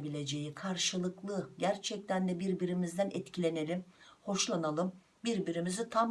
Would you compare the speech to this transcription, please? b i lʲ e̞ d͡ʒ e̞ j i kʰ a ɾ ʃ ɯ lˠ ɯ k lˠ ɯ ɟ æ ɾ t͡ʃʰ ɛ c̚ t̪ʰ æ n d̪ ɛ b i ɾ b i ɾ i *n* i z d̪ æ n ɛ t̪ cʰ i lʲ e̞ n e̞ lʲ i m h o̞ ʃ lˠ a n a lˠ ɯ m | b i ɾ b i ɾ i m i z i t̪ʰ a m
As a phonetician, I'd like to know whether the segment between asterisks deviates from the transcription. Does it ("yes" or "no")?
yes